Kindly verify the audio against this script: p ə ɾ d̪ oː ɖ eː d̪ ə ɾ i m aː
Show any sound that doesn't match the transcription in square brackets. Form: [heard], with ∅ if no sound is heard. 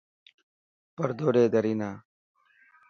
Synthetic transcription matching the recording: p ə ɾ d̪ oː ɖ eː d̪ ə ɾ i [n] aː